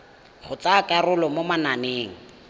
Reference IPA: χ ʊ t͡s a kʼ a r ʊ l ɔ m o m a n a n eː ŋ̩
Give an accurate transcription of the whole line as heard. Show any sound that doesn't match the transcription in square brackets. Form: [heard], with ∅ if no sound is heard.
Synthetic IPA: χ ʊ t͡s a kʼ a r ʊ l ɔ m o m a n a n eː ŋ̩